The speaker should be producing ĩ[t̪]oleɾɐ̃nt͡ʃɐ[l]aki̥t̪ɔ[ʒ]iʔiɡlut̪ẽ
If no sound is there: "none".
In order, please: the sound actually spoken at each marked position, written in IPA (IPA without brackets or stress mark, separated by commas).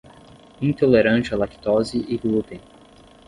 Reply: t̪, l, z